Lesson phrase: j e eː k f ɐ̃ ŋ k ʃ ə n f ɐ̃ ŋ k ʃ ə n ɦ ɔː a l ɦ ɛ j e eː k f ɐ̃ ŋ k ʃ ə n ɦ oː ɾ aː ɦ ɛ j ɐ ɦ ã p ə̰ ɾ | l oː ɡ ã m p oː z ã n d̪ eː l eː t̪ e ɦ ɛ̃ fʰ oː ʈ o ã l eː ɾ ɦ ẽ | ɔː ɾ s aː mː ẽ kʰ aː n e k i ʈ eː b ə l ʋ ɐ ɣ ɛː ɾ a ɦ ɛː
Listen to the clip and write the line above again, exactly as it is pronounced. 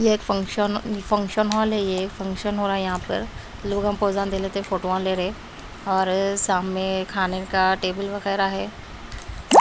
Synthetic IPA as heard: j e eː k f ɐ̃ ŋ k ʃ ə n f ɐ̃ ŋ k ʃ ə n ɦ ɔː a l ɦ ɛ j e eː k f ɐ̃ ŋ k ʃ ə n ɦ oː ɾ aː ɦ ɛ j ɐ ɦ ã p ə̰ ɾ | l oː ɡ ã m p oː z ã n d̪ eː l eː t̪ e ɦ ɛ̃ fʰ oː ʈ o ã l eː ɾ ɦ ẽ | ɔː ɾ s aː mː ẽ kʰ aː n e k a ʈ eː b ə l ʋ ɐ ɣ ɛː ɾ a ɦ ɛː